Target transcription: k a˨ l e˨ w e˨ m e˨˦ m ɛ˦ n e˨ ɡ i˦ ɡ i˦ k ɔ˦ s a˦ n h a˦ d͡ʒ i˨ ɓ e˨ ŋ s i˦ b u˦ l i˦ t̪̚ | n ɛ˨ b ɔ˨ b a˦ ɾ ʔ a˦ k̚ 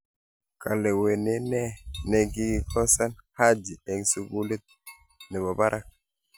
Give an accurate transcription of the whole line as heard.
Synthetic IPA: k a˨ l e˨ w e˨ n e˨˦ n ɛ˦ n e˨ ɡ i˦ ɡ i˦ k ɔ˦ s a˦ n h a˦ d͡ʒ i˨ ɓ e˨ ŋ s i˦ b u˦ l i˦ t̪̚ | n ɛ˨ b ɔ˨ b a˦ ɾ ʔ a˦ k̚